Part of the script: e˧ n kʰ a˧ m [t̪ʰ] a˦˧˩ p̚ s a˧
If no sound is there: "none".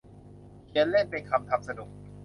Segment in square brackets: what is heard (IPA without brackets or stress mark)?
t̪ʰ